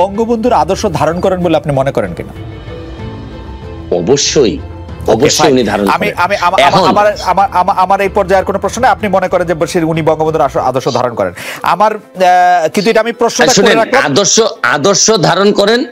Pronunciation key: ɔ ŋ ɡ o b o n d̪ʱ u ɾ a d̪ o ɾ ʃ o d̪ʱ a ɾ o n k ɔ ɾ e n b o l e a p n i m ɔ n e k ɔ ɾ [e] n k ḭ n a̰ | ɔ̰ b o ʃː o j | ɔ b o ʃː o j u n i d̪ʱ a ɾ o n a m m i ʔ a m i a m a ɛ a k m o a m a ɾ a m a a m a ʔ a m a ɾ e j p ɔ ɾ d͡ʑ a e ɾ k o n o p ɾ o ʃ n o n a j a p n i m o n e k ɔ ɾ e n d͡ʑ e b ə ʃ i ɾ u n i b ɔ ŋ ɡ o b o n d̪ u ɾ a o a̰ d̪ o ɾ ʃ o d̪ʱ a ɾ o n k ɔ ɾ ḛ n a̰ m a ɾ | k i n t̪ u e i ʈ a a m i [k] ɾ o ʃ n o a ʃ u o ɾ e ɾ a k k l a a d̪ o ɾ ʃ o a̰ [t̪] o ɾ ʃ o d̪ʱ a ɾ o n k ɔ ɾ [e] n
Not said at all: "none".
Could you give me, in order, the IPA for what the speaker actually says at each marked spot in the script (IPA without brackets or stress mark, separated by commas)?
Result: e, p, d̪, e